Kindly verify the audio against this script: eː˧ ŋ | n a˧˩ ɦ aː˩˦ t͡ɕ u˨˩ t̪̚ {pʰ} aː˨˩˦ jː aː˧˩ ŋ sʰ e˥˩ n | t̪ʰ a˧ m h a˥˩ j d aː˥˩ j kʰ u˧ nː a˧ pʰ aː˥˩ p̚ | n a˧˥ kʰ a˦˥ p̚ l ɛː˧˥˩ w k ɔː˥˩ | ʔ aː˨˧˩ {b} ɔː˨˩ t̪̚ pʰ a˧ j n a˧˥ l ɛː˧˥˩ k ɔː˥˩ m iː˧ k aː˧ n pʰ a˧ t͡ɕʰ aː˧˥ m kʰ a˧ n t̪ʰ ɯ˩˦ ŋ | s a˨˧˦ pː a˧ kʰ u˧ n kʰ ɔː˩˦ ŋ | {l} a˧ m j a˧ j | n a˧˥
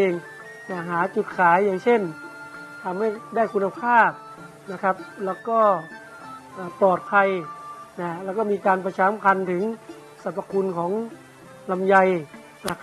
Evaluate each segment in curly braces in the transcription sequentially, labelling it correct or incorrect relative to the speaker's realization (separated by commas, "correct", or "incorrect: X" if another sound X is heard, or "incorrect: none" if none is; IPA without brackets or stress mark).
incorrect: kʰ, incorrect: p, correct